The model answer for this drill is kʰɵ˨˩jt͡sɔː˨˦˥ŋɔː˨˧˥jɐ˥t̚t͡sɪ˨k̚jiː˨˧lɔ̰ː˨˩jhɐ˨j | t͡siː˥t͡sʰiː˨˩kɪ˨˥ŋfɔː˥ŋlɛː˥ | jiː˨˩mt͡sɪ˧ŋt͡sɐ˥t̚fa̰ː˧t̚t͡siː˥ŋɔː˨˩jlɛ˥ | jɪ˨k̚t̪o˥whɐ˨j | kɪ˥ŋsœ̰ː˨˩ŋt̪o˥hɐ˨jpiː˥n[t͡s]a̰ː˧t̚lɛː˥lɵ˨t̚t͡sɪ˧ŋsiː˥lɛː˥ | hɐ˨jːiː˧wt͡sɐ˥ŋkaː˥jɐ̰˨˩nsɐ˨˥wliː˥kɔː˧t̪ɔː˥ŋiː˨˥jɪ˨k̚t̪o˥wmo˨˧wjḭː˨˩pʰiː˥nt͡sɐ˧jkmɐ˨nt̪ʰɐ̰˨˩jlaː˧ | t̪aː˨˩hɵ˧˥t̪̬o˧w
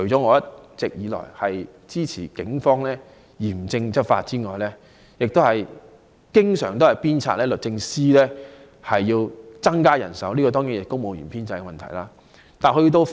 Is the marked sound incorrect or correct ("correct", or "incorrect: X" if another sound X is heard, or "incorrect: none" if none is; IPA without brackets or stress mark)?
incorrect: t͡sʰ